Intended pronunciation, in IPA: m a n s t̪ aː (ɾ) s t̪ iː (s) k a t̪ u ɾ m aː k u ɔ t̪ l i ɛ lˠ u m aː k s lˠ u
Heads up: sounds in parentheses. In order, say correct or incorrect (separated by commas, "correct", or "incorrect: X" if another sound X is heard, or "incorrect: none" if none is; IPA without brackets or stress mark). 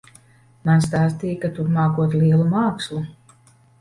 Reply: incorrect: none, incorrect: none